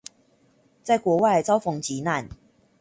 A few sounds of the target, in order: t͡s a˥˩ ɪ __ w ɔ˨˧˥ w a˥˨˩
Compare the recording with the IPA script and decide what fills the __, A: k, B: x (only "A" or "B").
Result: A